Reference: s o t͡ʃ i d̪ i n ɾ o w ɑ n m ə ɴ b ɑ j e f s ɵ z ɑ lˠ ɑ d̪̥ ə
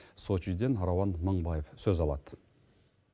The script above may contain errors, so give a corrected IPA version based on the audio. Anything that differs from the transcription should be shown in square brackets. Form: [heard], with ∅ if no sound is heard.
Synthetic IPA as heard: s o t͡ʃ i d̪ [e] n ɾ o w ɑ n m ə ɴ b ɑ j e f s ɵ z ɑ lˠ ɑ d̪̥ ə